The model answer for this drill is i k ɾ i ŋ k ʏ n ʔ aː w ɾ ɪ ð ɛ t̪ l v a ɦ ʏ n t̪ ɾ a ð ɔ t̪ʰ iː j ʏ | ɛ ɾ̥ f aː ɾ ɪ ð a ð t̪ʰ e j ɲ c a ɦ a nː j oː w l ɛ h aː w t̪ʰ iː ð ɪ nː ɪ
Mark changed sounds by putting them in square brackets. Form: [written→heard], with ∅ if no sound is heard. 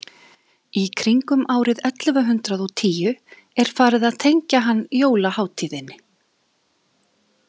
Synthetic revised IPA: i [k→kʰ] ɾ i ŋ k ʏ [n→m] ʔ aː w ɾ ɪ ð ɛ t̪ l v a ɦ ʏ n t̪ ɾ a ð ɔ t̪ʰ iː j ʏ | ɛ ɾ̥ f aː ɾ ɪ ð a ð t̪ʰ e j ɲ c a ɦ a nː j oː w l [ɛ→a] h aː w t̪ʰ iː ð ɪ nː ɪ